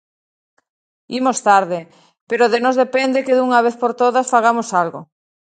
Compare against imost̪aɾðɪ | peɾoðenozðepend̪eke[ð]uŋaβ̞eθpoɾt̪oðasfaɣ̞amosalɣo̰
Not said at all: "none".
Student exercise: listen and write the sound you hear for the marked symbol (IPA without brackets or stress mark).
ð